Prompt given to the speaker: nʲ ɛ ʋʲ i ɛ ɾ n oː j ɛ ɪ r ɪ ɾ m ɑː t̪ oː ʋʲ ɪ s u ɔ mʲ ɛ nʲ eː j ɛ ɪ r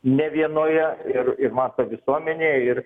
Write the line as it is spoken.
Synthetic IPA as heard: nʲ ɛ ʋʲ i ɛ n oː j ɛ ɪ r ɪ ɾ m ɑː t̪ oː ʋʲ ɪ s u ɔ mʲ ɛ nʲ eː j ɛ ɪ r